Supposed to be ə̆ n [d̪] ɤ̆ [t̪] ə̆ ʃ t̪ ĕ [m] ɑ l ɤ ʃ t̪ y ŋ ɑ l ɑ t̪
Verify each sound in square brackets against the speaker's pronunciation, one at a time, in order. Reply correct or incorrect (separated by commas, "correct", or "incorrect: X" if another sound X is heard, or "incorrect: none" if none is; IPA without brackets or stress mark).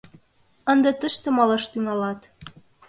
correct, correct, correct